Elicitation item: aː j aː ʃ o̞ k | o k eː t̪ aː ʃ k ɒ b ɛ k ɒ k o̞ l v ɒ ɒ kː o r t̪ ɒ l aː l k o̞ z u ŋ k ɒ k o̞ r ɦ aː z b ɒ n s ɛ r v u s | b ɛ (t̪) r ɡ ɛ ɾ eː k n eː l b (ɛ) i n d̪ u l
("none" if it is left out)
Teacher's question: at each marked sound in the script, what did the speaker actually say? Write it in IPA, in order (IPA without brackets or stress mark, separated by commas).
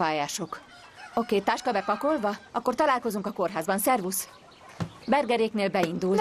none, ɛ